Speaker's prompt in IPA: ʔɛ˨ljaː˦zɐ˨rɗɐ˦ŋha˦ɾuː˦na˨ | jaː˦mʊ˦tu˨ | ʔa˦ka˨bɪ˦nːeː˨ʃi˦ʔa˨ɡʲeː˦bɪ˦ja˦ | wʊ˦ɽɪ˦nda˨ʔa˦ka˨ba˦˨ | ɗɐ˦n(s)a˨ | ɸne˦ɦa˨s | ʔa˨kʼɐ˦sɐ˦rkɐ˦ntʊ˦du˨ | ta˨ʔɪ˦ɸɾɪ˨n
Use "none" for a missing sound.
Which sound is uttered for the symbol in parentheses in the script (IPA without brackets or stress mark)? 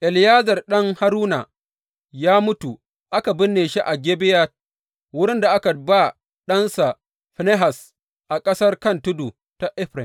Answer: s